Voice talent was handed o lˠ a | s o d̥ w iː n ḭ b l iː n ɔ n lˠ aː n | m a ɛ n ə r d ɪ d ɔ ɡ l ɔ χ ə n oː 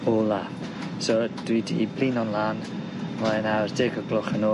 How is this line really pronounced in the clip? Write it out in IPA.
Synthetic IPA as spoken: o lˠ a | s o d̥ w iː d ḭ b l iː n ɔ n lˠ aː n | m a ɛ n a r d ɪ ɡ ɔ ɡ l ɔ χ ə n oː